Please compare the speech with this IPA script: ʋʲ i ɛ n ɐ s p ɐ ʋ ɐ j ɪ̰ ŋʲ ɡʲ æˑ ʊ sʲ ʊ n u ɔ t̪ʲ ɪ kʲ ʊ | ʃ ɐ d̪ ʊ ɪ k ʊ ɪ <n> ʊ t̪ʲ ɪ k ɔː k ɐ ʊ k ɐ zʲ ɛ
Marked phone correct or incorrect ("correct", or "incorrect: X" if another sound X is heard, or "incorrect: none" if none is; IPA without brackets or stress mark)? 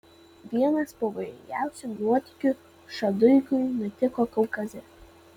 correct